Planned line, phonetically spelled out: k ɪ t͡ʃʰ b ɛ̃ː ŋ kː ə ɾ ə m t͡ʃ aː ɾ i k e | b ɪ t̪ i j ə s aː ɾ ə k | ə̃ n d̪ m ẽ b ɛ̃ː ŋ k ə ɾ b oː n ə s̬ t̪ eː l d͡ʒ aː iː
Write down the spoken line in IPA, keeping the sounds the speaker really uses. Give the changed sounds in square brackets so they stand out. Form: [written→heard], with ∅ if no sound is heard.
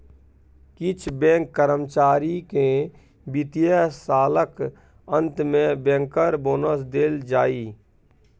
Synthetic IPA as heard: k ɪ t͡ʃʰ b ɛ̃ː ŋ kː ə ɾ ə m t͡ʃ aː ɾ i k e | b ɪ t̪ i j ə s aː [ɾ→l] ə k | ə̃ n [d̪→t̪] m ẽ b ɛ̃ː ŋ k ə ɾ b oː n ə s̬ [t̪→d̪] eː l d͡ʒ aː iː